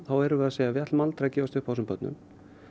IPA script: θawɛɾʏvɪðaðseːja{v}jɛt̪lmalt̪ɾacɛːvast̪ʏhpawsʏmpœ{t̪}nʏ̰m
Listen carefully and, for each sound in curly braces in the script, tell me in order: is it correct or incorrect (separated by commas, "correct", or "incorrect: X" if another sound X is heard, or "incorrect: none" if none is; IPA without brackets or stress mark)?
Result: correct, correct